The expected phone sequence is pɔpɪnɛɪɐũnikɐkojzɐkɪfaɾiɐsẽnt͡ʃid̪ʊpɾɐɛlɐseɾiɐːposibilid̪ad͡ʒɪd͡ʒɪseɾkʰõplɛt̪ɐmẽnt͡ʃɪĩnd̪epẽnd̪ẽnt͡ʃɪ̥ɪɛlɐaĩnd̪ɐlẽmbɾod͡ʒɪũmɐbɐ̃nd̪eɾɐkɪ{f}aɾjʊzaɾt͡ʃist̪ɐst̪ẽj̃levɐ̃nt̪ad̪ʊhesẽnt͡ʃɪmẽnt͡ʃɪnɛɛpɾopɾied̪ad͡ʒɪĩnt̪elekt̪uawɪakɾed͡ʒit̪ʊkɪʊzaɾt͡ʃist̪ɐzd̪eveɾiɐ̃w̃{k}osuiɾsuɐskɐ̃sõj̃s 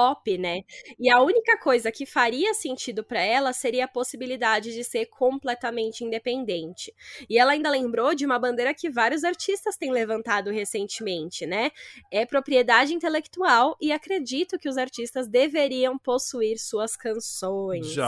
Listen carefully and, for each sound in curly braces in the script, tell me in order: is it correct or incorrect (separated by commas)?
incorrect, incorrect